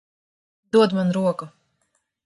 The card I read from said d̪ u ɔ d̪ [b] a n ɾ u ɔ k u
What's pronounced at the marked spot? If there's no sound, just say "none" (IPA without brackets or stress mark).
m